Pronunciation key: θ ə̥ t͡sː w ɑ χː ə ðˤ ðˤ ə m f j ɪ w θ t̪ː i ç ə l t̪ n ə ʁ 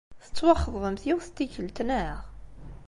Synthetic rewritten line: θ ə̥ t͡sː w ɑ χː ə ðˤ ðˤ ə m θ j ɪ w θ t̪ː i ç ə l t̪ n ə ʁ